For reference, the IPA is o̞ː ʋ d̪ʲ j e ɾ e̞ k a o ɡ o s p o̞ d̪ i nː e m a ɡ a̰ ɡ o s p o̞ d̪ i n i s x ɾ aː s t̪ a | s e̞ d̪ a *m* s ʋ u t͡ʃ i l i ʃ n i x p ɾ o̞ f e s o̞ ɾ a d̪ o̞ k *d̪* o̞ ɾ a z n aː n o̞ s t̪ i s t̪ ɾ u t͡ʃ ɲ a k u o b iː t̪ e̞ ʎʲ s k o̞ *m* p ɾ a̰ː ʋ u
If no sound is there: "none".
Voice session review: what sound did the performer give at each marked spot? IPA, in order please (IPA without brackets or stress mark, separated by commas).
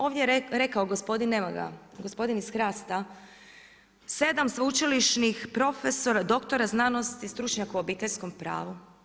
m, t̪, m